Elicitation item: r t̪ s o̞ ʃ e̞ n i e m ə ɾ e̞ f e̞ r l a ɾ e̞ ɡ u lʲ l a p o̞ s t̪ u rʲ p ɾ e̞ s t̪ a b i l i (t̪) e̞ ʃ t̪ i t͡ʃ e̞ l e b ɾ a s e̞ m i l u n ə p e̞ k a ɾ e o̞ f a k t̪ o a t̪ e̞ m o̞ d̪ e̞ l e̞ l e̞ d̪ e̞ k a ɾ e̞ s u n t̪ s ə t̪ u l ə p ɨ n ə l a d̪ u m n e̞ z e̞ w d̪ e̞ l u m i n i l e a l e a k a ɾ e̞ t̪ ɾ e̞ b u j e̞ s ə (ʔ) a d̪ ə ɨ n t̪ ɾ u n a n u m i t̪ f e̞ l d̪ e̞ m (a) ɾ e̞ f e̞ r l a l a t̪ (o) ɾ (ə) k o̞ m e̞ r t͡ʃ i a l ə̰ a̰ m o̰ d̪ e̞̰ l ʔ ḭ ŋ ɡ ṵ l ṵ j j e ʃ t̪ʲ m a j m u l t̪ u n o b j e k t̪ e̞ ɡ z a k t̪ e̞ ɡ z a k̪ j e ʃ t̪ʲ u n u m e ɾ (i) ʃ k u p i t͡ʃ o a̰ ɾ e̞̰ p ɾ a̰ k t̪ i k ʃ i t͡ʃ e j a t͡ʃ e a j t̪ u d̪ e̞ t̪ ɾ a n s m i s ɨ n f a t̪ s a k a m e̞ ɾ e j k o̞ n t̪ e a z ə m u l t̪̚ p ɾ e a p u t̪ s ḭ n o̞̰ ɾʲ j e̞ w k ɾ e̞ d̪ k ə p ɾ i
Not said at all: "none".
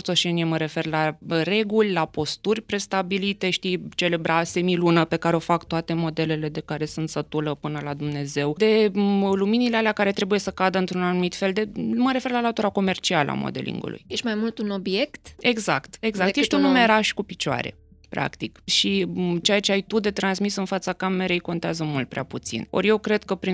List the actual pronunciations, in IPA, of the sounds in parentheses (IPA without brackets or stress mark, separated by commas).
t̪, k, ə, u, a, a